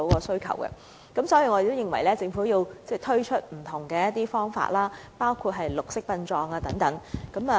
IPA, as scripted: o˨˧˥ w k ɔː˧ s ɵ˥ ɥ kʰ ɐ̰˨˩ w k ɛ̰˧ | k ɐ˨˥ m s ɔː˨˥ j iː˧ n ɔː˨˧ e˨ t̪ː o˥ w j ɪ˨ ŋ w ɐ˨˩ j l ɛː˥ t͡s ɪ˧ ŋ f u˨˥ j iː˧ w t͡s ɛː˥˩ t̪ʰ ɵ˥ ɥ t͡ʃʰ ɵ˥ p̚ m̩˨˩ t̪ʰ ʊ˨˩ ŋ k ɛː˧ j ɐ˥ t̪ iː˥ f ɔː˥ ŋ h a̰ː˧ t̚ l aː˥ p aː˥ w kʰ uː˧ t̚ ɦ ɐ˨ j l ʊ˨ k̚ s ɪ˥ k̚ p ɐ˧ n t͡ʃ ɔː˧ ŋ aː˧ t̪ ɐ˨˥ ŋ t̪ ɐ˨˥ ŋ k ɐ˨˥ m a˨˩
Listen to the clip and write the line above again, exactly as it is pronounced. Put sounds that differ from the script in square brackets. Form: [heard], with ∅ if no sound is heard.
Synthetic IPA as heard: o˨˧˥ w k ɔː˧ s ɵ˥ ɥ kʰ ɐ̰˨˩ w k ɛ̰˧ | k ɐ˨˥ m s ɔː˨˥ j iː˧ [ŋ] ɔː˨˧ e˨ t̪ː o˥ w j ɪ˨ ŋ w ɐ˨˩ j l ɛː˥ t͡s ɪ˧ ŋ f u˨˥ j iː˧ w t͡s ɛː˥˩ t̪ʰ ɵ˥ ɥ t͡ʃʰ ɵ˥ [t̚] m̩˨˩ t̪ʰ ʊ˨˩ ŋ k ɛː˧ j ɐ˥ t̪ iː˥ f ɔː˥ ŋ [f] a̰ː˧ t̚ l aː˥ p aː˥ w kʰ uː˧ t̚ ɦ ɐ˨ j l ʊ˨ k̚ s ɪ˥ k̚ p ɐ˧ n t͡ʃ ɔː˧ ŋ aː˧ t̪ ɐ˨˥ ŋ t̪ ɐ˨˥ ŋ k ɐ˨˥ m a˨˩

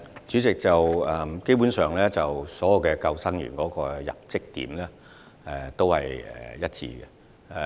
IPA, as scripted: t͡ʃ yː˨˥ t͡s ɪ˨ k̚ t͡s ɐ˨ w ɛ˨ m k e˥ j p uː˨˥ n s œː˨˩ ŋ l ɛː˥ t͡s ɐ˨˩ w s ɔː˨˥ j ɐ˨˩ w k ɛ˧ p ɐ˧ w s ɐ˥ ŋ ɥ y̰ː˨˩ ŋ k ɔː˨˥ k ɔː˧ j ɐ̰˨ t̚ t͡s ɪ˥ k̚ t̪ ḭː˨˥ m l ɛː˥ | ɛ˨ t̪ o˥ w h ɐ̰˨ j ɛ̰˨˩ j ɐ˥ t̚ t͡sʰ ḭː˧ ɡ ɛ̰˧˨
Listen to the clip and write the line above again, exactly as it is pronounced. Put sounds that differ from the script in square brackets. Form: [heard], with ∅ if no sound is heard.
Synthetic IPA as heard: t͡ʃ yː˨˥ t͡s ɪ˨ k̚ t͡s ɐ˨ w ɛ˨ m k e˥ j p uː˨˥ n s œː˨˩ ŋ l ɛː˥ t͡s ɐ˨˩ w s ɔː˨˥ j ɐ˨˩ w k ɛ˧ [k] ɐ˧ w s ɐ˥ ŋ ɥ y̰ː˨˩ [n] k ɔː˨˥ k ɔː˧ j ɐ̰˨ [p̚] t͡s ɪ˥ k̚ t̪ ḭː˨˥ m l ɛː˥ | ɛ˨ t̪ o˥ w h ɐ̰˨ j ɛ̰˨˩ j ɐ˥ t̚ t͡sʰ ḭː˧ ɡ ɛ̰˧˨

